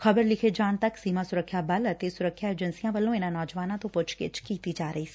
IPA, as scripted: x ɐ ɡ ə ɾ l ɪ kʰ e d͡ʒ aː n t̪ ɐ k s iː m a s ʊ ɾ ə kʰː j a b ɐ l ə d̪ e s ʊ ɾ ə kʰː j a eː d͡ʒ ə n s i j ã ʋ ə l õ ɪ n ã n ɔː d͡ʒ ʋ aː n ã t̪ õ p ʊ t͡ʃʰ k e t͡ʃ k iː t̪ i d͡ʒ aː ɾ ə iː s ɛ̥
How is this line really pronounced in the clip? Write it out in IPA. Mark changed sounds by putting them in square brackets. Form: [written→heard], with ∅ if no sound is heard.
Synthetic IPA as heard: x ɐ [ɡ→b] ə ɾ l ɪ kʰ e d͡ʒ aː n t̪ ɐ k s iː m a s ʊ ɾ ə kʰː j a b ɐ l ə [d̪→t̪] e s ʊ ɾ ə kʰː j a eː d͡ʒ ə n s i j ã ʋ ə l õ ɪ n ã n ɔː d͡ʒ ʋ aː n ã t̪ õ p ʊ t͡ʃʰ k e t͡ʃ k iː t̪ i d͡ʒ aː ɾ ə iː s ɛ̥